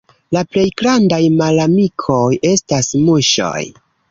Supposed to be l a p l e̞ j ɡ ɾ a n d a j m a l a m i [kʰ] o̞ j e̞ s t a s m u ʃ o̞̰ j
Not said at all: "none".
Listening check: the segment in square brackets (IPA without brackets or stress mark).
kʰ